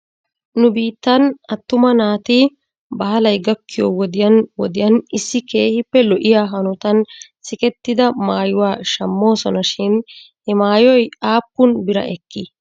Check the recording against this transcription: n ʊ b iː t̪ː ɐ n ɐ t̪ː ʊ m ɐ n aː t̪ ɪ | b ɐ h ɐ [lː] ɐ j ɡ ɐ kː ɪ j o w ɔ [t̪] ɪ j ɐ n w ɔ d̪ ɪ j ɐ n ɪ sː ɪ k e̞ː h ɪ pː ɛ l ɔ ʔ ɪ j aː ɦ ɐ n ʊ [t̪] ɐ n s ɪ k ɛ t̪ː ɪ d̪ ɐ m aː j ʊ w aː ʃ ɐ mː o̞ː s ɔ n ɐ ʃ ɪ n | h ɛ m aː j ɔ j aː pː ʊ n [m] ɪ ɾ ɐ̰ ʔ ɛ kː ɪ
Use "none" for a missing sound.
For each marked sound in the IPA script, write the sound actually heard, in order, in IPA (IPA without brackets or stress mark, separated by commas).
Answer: l, d̪, t̪, b